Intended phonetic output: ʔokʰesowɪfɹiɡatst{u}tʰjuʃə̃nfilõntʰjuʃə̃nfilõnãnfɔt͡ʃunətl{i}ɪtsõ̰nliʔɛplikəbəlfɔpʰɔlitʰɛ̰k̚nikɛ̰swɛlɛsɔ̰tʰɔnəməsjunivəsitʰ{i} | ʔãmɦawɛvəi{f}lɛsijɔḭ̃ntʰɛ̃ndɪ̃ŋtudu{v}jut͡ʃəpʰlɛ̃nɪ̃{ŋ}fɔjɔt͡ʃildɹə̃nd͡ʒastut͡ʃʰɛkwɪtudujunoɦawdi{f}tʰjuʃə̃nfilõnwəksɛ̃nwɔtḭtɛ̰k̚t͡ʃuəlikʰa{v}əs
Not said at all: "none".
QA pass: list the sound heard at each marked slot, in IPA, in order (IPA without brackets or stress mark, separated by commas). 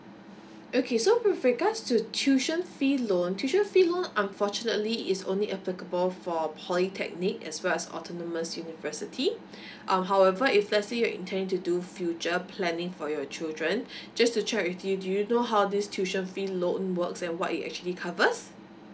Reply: u, i, i, f, f, ŋ, s, v